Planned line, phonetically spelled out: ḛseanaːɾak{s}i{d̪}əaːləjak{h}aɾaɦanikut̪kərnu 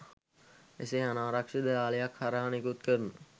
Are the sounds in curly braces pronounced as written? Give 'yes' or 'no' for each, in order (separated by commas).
no, yes, yes